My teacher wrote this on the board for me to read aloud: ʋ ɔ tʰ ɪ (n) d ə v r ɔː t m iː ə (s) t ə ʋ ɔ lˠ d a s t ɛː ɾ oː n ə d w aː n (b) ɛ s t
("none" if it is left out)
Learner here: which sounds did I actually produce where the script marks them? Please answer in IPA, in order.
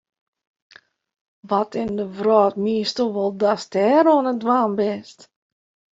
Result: n, s, b

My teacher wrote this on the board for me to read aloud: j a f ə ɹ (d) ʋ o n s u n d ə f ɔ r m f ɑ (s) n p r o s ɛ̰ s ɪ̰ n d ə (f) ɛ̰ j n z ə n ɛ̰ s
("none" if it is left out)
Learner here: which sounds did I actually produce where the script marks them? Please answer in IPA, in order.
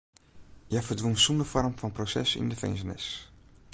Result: d, none, f

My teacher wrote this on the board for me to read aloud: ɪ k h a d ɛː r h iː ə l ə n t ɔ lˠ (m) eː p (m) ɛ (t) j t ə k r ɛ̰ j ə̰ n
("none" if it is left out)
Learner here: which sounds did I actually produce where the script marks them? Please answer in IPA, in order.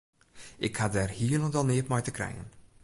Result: n, m, none

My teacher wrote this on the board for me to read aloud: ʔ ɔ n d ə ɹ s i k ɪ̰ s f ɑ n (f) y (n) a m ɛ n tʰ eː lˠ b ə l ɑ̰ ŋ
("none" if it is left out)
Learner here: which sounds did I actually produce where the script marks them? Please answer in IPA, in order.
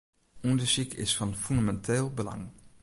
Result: f, n

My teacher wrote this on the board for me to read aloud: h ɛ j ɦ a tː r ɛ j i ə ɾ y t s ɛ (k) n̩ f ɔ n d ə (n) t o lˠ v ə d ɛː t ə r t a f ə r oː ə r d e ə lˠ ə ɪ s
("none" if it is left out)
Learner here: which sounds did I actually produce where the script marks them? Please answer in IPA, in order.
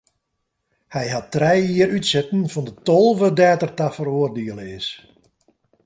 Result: t, none

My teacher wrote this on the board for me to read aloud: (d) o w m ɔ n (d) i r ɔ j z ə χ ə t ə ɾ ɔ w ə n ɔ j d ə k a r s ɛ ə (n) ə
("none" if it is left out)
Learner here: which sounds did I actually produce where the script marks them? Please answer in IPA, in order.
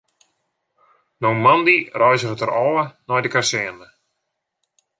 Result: n, d, n

